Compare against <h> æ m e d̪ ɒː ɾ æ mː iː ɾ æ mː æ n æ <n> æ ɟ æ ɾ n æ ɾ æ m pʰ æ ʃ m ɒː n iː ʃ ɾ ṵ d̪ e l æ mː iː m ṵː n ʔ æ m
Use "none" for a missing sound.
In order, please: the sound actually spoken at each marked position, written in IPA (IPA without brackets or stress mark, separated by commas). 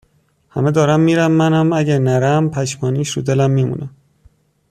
h, m